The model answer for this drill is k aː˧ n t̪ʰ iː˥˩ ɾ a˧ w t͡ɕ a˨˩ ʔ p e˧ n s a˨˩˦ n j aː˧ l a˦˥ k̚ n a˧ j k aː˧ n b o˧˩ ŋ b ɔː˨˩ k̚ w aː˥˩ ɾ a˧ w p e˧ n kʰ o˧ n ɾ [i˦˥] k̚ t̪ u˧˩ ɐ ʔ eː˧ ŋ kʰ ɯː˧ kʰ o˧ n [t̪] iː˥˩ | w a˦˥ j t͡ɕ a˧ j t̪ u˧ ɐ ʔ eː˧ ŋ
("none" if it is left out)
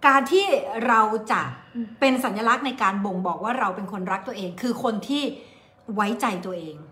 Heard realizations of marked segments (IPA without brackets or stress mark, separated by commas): a˦˥, t̪ʰ